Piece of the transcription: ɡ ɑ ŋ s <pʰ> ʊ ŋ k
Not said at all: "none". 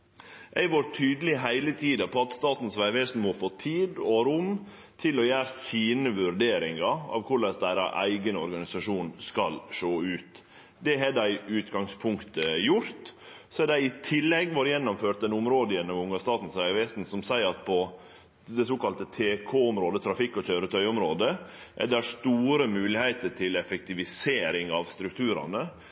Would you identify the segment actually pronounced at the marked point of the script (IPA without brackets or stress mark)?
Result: pʰ